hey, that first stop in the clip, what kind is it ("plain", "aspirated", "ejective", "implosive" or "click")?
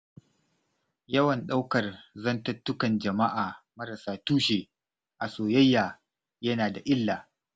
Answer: implosive